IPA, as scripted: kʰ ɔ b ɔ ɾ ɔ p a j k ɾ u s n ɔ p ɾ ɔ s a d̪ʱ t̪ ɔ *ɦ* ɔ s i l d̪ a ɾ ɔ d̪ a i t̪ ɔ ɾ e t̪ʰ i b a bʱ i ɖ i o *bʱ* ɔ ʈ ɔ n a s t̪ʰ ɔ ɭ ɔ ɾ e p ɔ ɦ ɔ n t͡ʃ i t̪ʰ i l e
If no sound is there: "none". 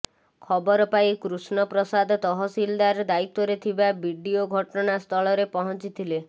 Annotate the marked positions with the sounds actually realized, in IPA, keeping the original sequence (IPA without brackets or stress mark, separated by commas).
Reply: ɦ, ɡʱ